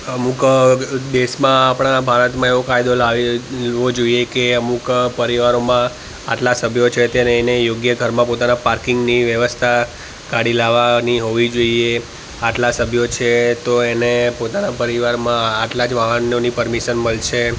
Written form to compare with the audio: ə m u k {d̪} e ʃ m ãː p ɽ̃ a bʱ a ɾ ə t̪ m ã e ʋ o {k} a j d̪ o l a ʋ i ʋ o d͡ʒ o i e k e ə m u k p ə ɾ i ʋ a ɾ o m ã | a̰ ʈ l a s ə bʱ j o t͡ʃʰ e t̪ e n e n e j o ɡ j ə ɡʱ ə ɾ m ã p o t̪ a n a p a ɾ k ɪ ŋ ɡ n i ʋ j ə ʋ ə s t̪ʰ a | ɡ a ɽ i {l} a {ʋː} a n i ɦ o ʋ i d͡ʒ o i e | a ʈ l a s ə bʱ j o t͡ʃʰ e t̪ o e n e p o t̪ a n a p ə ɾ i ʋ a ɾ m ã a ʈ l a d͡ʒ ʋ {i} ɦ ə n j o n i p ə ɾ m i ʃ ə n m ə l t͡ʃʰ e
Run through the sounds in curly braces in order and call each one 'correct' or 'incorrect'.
correct, correct, correct, incorrect: ʋ, incorrect: a

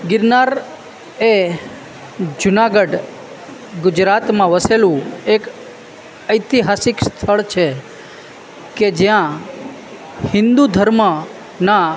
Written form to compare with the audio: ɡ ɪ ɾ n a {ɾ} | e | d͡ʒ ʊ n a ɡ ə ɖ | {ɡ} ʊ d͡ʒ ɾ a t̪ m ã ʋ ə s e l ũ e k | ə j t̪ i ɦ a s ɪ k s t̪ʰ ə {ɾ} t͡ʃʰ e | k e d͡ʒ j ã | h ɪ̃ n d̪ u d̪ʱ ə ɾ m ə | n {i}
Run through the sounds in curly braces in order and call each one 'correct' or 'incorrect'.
correct, correct, incorrect: ɭ, incorrect: a

